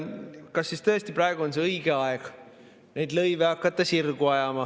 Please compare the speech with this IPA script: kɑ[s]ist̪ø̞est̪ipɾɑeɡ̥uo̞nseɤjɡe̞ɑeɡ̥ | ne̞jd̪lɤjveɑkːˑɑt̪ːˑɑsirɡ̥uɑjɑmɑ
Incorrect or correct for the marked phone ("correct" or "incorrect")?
incorrect